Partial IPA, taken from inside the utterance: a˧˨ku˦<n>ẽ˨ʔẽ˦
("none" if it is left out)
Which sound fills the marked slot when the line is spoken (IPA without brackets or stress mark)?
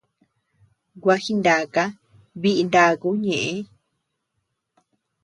ɲ